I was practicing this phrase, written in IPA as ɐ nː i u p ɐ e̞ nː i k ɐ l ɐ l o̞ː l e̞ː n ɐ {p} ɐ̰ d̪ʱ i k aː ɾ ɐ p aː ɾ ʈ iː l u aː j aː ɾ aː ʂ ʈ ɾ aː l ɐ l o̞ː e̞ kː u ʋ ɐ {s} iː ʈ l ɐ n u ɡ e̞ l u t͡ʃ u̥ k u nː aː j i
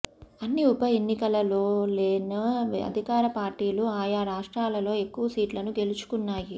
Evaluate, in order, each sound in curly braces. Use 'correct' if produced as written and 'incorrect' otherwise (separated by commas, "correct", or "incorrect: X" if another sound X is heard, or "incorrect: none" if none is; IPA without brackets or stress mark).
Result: incorrect: none, correct